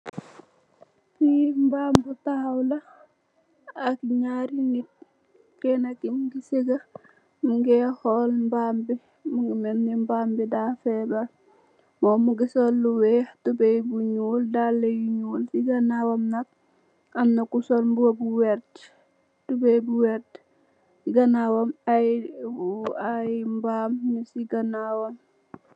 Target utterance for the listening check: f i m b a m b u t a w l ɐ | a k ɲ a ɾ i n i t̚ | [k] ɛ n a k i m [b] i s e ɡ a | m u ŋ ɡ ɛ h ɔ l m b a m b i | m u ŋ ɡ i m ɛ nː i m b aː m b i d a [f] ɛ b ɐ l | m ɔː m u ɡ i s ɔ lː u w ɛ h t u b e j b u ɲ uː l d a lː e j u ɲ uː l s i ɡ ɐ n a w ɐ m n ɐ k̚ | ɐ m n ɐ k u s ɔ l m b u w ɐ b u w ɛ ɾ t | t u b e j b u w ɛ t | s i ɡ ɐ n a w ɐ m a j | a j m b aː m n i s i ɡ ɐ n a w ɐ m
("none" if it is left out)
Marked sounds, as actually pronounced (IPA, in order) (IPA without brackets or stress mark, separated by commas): k, ɡ, f